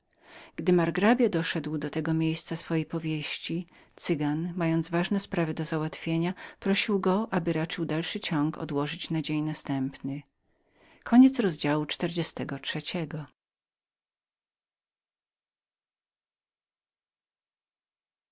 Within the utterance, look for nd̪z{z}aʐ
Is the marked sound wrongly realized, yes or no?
yes